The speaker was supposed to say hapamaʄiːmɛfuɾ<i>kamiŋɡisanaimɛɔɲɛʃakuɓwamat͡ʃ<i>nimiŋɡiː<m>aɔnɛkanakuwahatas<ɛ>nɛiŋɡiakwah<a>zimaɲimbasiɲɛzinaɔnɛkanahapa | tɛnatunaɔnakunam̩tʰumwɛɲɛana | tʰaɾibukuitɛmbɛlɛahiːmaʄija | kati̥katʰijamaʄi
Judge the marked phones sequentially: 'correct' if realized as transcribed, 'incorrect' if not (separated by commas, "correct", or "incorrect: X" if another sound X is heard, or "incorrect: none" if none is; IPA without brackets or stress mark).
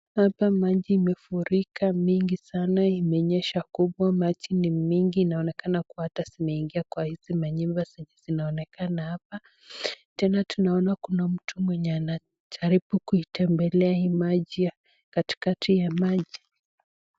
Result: correct, correct, incorrect: n, incorrect: i, incorrect: i